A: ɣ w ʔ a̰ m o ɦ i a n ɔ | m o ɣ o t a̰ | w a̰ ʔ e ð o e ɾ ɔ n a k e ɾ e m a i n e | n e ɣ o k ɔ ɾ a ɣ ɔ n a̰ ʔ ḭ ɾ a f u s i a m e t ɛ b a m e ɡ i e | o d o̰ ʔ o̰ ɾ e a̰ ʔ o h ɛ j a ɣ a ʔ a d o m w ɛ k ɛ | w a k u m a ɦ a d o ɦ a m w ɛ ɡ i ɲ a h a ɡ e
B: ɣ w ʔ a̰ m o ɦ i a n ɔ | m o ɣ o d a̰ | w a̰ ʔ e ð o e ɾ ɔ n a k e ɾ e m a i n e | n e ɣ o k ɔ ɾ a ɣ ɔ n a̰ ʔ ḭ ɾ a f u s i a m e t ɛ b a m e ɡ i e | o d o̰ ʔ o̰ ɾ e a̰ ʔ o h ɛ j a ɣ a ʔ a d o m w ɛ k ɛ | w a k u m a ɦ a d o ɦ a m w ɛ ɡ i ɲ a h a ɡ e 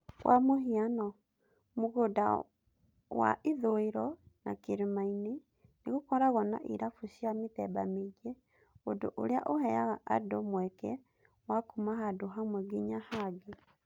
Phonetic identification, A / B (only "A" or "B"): B